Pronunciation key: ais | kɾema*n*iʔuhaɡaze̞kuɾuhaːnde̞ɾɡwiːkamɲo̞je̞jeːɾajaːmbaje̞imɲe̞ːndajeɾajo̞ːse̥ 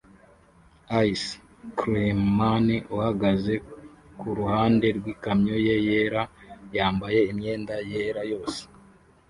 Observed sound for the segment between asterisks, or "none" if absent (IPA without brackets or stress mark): n